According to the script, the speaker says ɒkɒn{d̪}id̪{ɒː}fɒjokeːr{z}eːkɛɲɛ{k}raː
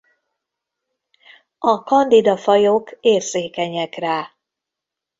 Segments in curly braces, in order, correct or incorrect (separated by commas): correct, incorrect, correct, correct